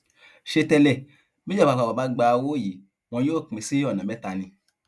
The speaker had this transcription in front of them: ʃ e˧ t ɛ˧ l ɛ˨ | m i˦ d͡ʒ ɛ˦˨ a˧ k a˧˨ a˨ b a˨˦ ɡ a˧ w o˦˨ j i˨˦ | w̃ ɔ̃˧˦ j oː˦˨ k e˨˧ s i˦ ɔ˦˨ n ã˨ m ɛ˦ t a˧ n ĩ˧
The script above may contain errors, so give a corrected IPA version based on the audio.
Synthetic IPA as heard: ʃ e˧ t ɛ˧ l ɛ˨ | m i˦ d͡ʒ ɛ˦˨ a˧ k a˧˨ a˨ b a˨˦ ɡ͡b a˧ w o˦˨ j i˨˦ | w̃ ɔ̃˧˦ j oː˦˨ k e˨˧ s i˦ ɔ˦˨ n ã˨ m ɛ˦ t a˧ n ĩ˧